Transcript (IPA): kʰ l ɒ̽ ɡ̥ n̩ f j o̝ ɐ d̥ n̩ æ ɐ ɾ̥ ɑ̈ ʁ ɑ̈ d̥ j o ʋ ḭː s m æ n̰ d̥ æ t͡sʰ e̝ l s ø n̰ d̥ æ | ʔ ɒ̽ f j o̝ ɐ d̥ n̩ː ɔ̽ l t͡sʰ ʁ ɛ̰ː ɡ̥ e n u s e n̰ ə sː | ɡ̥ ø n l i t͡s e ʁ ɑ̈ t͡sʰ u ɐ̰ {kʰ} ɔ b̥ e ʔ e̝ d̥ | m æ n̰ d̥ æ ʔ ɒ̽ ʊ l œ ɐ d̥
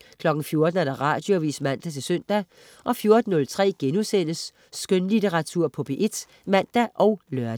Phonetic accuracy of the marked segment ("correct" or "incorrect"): incorrect